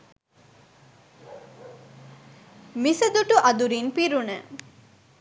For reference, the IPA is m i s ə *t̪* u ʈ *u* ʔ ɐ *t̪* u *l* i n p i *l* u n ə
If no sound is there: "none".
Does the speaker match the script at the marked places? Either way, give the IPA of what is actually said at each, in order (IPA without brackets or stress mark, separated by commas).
d̪, u, d̪, ɾ, ɾ